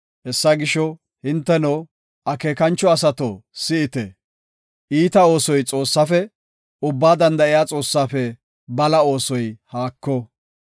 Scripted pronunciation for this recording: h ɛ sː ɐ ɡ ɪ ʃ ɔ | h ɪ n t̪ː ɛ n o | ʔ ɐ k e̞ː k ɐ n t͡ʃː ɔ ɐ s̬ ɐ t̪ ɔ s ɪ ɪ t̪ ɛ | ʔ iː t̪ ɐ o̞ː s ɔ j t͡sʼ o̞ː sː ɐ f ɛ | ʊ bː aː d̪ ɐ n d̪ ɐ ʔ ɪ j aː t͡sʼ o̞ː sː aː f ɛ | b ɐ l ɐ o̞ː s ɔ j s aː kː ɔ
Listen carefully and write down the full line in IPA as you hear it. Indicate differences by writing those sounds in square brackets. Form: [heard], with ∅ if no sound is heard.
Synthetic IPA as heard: h ɛ sː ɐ ɡ ɪ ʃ ɔ | h ɪ n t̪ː ɛ n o | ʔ ɐ k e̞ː k ɐ n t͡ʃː ɔ ɐ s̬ ɐ t̪ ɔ s ɪ ɪ t̪ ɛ | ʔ iː t̪ ɐ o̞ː s ɔ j t͡sʼ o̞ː sː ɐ f ɛ | ʊ bː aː d̪ ɐ n d̪ ɐ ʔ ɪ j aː t͡sʼ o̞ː sː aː f ɛ | b ɐ l ɐ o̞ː s ɔ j [h] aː kː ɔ